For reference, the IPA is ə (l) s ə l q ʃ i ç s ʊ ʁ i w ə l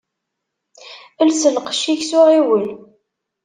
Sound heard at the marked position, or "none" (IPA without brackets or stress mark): l